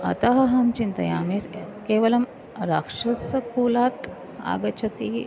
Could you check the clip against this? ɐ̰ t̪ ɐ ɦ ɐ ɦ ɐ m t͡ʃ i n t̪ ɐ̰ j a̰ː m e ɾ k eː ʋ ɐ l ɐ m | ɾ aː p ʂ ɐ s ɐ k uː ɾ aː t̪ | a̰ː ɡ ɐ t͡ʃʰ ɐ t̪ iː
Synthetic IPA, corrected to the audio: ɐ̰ t̪ ɐ ɦ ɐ ɦ ɐ m t͡ʃ i n t̪ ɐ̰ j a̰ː m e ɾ k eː ʋ ɐ l ɐ m | ɾ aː k ʂ ɐ s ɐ k uː l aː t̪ | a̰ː ɡ ɐ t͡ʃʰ ɐ t̪ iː